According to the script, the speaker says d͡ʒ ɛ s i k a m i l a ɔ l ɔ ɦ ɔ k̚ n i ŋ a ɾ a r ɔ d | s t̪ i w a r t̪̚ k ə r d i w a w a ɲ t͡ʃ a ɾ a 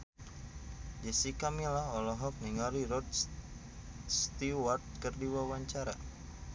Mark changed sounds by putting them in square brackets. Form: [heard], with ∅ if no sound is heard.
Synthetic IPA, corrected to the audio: d͡ʒ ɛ s i k a m i l a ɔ l ɔ ɦ ɔ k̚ n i ŋ a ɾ [i] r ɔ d | s t̪ i w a r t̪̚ k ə r d i w a w a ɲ t͡ʃ a ɾ a